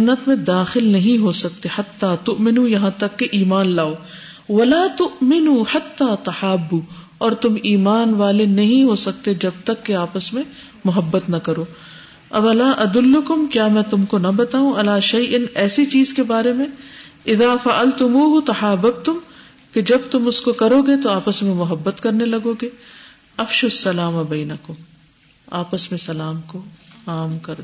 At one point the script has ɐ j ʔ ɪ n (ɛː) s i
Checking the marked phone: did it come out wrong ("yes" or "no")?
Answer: no